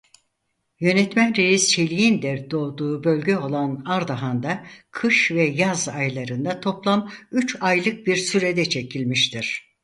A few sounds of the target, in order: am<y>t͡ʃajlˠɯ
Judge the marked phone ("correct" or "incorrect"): correct